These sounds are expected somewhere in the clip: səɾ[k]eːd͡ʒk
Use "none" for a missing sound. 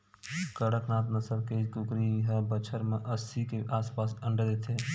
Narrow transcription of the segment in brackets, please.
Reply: k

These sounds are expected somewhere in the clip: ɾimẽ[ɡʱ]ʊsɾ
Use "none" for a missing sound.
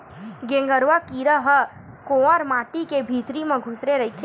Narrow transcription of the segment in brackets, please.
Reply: ɡʱ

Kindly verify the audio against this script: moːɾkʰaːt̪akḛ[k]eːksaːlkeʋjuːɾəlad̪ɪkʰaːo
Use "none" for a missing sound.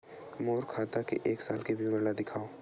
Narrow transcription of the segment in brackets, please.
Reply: ʔ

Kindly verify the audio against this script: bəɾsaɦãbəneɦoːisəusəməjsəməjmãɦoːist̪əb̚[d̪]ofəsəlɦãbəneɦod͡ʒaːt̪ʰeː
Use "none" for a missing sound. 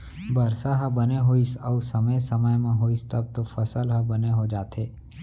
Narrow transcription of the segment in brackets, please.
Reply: t̪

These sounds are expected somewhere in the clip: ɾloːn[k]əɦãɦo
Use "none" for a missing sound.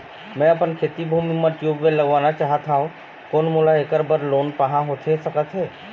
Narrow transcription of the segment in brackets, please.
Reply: p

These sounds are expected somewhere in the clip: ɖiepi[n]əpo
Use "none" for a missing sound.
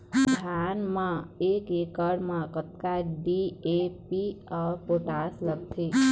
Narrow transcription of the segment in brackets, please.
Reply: none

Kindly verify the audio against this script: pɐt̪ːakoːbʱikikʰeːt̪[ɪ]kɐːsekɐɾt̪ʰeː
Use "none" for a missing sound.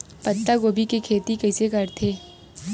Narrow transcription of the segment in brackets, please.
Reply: i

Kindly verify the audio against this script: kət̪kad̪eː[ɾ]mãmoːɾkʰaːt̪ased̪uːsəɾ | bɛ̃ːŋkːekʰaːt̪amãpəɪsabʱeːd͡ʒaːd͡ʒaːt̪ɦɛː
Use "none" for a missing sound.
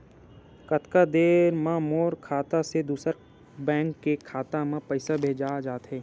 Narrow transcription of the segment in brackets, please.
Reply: ɾ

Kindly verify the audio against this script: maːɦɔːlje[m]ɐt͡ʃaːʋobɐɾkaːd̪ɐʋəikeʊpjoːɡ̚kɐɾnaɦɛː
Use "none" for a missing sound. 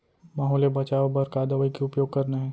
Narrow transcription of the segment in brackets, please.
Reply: b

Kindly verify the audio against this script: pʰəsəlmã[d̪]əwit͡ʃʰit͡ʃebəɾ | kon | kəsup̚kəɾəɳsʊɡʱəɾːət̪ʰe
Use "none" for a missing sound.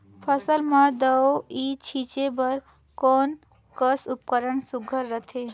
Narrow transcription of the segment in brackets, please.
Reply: d̪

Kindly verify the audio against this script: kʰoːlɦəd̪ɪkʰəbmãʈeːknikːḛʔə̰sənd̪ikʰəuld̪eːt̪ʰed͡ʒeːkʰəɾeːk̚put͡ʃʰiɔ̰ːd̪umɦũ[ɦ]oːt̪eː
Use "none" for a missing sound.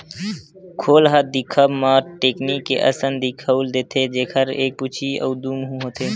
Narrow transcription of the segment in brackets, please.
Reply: ɦ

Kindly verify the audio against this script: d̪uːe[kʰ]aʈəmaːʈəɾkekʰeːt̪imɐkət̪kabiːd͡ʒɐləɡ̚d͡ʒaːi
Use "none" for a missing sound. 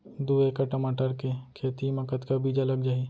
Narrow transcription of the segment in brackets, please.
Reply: k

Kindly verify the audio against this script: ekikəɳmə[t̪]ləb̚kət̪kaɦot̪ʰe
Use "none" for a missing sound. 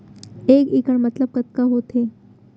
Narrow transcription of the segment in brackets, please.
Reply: t̪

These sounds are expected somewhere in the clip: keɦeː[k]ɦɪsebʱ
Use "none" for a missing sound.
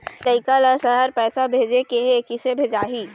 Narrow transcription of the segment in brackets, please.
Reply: k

